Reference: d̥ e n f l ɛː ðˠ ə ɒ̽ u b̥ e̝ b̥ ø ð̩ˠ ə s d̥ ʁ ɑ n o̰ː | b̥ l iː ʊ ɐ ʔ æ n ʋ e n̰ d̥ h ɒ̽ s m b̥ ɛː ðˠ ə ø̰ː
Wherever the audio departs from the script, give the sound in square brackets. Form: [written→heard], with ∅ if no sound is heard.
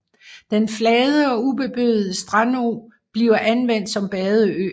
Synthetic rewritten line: d̥ e n f l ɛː ðˠ ə ɒ̽ u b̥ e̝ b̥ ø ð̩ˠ ə s d̥ ʁ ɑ n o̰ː | b̥ l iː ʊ ɐ ʔ æ n ʋ e n̰ d̥ [h→s] ɒ̽ [s→∅] m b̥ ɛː ðˠ ə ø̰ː